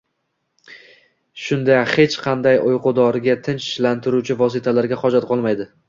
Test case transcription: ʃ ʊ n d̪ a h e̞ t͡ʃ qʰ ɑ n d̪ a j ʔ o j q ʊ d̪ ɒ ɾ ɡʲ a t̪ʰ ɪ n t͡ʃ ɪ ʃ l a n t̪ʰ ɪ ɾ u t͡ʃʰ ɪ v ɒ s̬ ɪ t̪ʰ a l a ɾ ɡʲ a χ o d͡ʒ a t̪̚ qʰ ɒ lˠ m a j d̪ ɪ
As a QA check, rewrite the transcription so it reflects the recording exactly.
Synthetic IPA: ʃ ʊ n d̪ a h e̞ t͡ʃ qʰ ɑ n d̪ a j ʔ o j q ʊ d̪ ɒ ɾ ɡʲ a t̪ʰ ɪ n t͡ʃ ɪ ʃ l a n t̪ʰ ɪ ɾ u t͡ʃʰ ɪ v ɒ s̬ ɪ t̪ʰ a l a ɾ ɡʲ a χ ɒ d͡ʒ a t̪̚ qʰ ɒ lˠ m a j d̪ ɪ